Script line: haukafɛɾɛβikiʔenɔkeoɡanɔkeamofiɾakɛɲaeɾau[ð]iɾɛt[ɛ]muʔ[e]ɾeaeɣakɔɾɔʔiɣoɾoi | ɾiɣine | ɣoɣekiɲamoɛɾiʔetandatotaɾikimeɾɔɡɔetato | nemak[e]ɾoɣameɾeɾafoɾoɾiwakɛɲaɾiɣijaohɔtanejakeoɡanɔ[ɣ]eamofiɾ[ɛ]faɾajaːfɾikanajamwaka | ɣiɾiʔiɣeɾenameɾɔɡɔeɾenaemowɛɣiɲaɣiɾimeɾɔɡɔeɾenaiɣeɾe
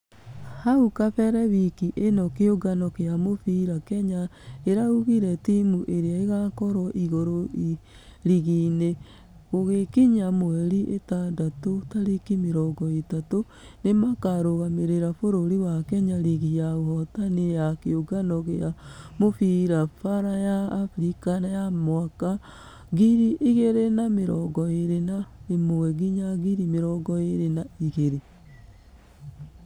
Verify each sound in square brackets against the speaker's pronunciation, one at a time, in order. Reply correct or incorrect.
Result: incorrect, incorrect, correct, incorrect, correct, incorrect

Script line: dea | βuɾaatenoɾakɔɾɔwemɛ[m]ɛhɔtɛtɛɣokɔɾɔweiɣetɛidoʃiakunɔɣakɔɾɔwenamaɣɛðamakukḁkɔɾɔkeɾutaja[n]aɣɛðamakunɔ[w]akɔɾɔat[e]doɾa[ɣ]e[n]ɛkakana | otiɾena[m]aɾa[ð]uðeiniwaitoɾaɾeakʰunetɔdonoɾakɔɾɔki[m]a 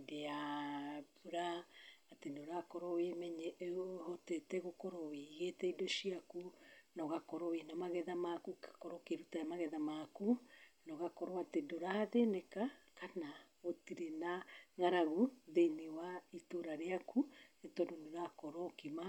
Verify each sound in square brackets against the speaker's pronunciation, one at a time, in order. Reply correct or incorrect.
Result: incorrect, incorrect, incorrect, correct, incorrect, correct, incorrect, incorrect, correct

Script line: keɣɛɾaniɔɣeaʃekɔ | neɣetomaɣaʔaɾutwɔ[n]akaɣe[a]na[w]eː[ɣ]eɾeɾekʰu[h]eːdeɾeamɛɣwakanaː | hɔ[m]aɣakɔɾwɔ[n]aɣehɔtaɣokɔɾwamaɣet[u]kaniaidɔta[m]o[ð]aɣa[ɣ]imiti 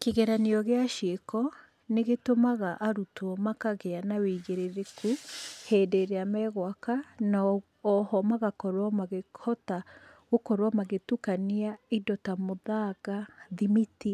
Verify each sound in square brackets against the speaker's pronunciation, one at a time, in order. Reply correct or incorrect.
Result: incorrect, correct, correct, correct, correct, correct, incorrect, correct, correct, correct, incorrect

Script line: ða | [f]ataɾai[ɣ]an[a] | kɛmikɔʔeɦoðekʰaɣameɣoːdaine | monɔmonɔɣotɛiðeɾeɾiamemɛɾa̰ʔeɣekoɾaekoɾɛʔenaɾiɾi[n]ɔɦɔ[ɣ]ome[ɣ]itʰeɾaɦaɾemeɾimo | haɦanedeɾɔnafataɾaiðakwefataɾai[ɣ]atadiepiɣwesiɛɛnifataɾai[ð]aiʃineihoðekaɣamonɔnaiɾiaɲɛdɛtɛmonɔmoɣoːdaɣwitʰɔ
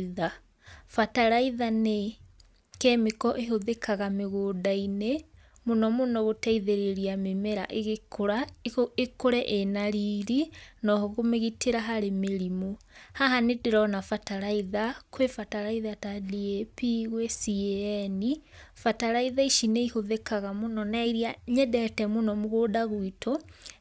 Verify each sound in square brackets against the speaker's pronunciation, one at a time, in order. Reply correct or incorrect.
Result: correct, incorrect, incorrect, correct, correct, correct, incorrect, correct

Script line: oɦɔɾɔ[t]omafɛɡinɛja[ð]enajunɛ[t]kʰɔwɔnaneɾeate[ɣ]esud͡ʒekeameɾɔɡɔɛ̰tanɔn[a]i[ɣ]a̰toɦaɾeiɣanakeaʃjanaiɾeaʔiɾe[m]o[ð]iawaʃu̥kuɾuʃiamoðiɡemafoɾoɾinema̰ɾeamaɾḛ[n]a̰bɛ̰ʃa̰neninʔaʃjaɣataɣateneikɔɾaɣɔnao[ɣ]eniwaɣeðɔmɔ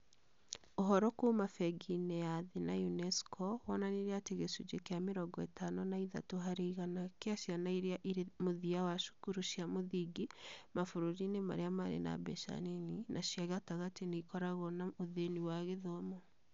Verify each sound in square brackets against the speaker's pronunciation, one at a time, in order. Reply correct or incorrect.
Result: incorrect, correct, incorrect, correct, correct, incorrect, correct, correct, correct, incorrect

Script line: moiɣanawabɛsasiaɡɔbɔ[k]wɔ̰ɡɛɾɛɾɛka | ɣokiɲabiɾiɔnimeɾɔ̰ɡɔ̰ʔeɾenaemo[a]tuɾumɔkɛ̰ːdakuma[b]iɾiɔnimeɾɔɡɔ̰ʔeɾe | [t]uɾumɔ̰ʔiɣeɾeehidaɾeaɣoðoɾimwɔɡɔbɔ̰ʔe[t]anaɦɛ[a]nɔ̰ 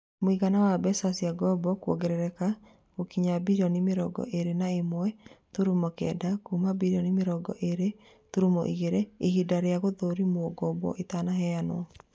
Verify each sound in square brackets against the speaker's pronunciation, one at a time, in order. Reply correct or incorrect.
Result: correct, incorrect, correct, correct, correct, correct

